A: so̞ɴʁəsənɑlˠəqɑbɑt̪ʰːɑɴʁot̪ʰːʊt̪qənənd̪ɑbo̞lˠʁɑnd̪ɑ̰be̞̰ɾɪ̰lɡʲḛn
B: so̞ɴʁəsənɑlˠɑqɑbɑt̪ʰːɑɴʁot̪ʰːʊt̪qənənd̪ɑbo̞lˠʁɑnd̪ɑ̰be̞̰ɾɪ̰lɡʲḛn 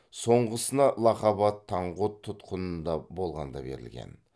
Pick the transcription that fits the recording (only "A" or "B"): B